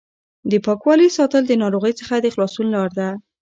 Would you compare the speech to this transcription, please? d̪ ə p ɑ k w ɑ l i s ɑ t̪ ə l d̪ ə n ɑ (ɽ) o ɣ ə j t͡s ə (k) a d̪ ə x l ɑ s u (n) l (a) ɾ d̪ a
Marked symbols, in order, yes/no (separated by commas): no, no, yes, no